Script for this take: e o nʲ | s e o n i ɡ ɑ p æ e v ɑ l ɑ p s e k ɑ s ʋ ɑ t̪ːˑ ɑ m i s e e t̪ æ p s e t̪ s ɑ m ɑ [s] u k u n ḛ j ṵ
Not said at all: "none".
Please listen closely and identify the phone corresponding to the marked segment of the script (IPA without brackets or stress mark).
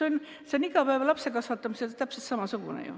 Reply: s